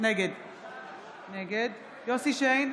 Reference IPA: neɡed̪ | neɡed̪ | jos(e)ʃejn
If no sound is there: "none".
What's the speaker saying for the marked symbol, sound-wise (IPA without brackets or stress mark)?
i